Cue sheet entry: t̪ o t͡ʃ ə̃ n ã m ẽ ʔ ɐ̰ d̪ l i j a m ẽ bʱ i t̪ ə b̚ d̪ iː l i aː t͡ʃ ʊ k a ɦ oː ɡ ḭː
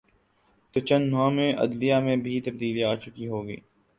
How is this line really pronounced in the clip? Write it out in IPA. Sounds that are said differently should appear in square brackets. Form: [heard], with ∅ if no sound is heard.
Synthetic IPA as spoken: t̪ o t͡ʃ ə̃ n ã m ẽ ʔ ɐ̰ d̪ l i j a m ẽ bʱ i t̪ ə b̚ d̪ iː l i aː t͡ʃ ʊ k [i] ɦ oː ɡ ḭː